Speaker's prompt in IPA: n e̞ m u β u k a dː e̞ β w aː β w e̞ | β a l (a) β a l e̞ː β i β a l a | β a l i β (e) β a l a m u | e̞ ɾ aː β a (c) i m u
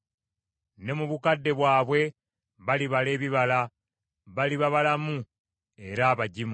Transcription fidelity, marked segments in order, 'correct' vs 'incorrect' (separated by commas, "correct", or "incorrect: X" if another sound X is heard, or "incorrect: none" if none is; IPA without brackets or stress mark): incorrect: i, incorrect: a, incorrect: ɟ